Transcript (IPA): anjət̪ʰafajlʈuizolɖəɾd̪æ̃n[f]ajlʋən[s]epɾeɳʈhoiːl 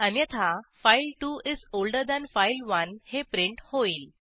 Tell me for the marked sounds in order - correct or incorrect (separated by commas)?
correct, incorrect